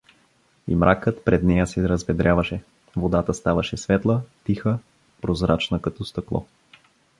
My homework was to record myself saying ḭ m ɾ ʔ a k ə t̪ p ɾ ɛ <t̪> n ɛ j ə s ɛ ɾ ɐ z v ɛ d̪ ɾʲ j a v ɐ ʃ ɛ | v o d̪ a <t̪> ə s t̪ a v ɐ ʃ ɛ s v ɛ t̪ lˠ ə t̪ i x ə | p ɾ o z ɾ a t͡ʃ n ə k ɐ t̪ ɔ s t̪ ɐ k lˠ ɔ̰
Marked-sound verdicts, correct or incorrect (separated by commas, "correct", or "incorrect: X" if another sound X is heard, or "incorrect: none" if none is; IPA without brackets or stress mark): incorrect: d̪, correct